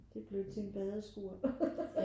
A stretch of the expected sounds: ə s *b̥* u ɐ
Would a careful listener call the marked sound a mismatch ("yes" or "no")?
yes